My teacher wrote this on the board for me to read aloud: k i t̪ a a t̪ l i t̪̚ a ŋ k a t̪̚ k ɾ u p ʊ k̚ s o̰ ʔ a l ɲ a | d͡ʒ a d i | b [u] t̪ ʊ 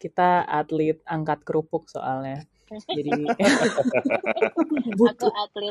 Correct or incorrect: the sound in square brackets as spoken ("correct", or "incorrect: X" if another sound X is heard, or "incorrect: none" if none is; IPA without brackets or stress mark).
correct